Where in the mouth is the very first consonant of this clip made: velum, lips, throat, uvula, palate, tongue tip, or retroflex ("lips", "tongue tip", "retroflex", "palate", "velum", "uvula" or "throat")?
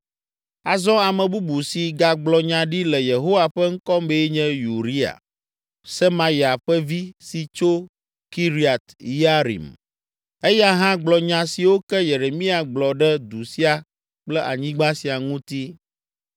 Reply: tongue tip